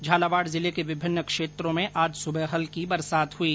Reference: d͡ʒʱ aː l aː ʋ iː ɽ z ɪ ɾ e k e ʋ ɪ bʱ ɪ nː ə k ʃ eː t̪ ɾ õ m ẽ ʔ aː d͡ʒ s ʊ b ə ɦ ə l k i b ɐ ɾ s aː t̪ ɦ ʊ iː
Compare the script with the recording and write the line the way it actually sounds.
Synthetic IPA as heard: d͡ʒʱ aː l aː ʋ aː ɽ z ɪ l e k e ʋ ɪ bʱ ɪ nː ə k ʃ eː t̪ ɾ õ m ẽ ʔ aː d͡ʒ s ʊ b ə ɦ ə l k i b ɐ ɾ s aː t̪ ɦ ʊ iː